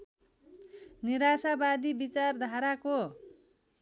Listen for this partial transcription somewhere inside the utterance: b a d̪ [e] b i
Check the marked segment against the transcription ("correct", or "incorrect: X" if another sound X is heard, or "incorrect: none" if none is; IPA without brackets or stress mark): incorrect: i